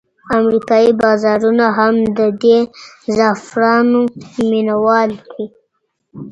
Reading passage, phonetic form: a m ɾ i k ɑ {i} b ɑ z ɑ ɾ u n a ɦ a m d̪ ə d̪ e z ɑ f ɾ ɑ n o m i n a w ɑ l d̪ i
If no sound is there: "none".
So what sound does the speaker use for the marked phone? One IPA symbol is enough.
i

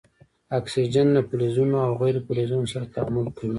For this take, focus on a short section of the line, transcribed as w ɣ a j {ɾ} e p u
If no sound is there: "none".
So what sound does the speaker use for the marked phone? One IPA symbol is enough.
ɾ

